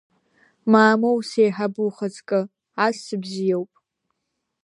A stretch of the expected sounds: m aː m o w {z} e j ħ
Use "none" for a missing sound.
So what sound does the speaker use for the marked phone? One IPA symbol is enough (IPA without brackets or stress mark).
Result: s